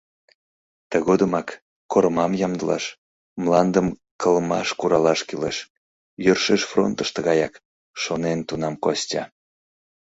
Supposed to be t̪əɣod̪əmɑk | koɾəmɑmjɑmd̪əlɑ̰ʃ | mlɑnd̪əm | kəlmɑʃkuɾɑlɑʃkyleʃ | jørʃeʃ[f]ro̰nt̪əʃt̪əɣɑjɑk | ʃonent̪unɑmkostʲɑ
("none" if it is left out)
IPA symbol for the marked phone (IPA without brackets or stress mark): f